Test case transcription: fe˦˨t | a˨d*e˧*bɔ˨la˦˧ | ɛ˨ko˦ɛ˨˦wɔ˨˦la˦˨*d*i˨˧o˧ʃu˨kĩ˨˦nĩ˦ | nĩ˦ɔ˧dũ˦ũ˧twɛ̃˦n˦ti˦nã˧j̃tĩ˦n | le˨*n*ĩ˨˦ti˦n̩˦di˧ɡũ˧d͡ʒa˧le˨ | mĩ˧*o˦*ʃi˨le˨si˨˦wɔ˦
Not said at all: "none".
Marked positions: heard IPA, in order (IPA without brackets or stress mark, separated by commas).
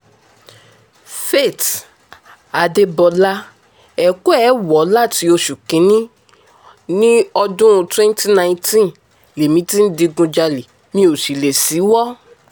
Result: e˧, t, m, o˨